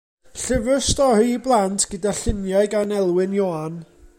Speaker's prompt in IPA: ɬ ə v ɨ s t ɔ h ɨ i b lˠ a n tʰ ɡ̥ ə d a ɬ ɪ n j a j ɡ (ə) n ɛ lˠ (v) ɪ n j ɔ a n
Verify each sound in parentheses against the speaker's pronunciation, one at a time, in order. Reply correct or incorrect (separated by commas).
incorrect, incorrect